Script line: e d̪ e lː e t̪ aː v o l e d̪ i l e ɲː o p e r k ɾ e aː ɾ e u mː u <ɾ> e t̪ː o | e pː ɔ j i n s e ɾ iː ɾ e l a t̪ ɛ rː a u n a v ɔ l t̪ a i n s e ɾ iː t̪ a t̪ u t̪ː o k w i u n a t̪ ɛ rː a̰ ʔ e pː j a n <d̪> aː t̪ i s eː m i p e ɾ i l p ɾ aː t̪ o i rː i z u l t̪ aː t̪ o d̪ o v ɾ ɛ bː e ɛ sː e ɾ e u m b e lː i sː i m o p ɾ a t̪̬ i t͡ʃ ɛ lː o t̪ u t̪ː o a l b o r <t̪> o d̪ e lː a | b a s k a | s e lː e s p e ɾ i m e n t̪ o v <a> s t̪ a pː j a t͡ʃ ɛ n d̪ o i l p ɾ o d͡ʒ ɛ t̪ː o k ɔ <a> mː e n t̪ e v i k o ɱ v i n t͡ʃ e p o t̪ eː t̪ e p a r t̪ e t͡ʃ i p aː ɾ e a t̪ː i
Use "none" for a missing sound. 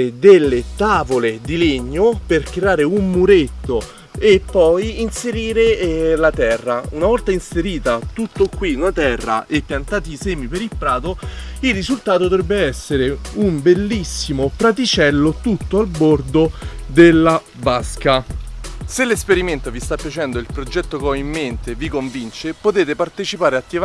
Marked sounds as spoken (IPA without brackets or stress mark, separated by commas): ɾ, t̪, d̪, i, i